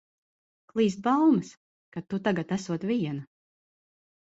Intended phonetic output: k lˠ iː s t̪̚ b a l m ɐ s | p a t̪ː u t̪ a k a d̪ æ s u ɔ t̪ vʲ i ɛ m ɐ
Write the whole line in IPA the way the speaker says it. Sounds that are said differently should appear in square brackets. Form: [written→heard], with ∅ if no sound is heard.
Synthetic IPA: k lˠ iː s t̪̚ b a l m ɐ s | [p→k] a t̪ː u t̪ a [k→ɡ] a [d̪→t̪] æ s u ɔ t̪ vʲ i ɛ [m→n] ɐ